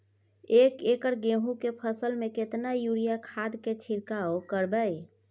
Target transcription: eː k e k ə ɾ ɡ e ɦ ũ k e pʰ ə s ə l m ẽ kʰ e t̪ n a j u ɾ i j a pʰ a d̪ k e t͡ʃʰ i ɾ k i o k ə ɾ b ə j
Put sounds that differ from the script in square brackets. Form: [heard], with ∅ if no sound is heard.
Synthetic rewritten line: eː k e k ə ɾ ɡ e ɦ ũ k e pʰ ə s ə l m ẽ [k] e t̪ n a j u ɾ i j a [kʰ] a d̪ k e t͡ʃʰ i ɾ k [a] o k ə ɾ b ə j